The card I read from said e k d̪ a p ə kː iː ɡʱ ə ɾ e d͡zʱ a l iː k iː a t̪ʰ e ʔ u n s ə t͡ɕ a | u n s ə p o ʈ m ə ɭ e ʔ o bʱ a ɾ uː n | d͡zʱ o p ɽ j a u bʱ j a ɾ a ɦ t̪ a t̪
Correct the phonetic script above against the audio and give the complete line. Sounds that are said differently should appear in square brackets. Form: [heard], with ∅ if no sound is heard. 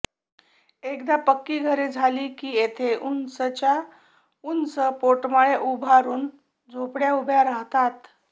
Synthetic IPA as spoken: e k d̪ a p ə kː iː ɡʱ ə ɾ e d͡zʱ a l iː k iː [e] t̪ʰ e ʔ u n s ə t͡ɕ a | u n s ə p o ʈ m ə ɭ e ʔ [u] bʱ a ɾ uː n | d͡zʱ o p ɽ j a u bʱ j a ɾ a ɦ t̪ a t̪